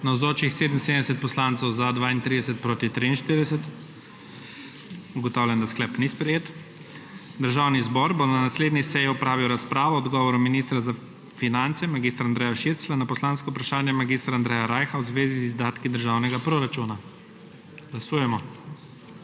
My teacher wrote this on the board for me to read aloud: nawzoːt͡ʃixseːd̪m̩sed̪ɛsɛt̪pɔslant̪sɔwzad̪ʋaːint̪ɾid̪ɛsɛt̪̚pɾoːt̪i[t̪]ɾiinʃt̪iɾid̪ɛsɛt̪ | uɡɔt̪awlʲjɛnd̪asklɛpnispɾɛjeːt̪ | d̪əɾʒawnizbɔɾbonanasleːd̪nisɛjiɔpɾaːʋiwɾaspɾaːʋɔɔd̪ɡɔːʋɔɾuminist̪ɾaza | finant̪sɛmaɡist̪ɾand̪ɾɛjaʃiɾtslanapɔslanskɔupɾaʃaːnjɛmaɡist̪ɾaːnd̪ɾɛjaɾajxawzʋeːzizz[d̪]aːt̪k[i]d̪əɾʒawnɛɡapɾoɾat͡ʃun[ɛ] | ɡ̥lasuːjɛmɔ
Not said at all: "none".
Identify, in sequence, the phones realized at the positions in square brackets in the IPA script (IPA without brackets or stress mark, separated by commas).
t̪, d̪, i, a